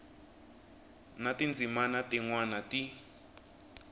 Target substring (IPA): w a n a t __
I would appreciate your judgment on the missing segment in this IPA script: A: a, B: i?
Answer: B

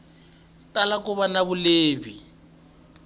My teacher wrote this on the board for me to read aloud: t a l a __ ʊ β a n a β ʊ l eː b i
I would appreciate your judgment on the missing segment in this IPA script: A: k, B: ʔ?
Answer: A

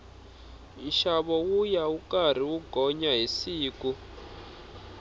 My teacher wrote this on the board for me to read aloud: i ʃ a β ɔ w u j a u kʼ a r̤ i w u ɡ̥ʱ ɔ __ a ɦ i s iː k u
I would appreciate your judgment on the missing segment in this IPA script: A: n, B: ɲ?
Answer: B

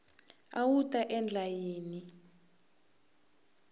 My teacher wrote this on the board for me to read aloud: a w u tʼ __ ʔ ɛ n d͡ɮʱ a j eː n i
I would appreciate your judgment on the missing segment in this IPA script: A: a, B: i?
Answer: A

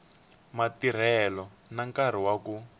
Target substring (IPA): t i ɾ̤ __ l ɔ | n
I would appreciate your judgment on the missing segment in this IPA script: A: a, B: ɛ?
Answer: B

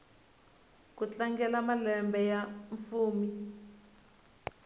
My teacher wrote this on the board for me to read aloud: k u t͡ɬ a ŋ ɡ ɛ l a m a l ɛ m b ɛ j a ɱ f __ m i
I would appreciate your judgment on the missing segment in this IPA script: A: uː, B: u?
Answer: A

